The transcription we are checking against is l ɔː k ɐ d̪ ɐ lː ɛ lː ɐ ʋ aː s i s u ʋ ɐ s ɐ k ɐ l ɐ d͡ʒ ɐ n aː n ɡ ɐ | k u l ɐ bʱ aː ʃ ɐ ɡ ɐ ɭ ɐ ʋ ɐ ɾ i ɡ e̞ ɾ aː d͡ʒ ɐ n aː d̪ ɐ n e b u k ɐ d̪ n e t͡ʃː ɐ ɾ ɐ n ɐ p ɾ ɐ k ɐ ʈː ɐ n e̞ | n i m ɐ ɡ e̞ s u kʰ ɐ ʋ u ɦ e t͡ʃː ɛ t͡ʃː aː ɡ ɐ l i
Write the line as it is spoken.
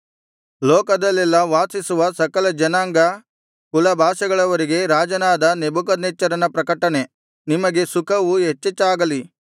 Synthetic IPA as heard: l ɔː k ɐ d̪ ɐ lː ɛ lː ɐ ʋ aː s i s u ʋ ɐ s ɐ k ɐ l ɐ d͡ʒ ɐ n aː ŋ ɡ ɐ | k u l ɐ bʱ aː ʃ ɐ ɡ ɐ ɭ ɐ ʋ ɐ ɾ i ɡ e̞ ɾ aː d͡ʒ ɐ n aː d̪ ɐ n e b u k ɐ d̪ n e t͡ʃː ɐ ɾ ɐ n ɐ p ɾ ɐ k ɐ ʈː ɐ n e̞ | n i m ɐ ɡ e̞ s u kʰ ɐ ʋ u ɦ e t͡ʃː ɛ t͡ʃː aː ɡ ɐ l i